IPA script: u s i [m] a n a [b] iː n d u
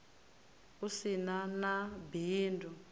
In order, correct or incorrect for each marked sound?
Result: incorrect: n, correct

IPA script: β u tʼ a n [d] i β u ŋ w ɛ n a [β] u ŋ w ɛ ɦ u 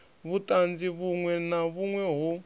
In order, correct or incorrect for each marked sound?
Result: incorrect: d͡z, correct

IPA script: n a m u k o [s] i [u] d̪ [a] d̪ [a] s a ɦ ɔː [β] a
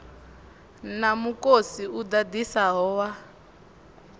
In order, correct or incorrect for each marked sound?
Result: correct, correct, correct, incorrect: i, incorrect: w

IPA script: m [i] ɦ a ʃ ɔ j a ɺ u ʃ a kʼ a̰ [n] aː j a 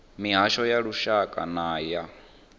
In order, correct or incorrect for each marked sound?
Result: correct, correct

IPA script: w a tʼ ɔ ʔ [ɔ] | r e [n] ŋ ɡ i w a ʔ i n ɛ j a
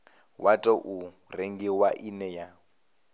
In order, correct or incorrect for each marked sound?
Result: incorrect: u, incorrect: none

